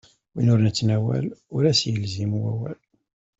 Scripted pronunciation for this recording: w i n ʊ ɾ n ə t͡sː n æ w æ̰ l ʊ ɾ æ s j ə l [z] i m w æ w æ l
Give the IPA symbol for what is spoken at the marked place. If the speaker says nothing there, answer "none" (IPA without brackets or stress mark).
z